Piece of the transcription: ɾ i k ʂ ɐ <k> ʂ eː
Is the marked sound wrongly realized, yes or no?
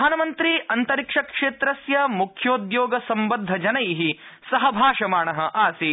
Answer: no